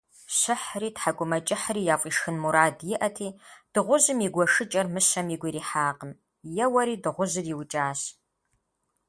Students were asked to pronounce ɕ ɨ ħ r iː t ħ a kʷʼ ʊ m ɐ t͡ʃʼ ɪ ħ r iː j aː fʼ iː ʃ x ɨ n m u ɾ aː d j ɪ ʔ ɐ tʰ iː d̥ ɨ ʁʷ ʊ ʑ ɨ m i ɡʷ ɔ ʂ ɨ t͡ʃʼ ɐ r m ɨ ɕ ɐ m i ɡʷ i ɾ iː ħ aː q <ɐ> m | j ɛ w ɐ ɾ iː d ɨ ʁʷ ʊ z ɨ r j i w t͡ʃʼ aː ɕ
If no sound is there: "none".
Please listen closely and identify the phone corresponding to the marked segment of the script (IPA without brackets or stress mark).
ə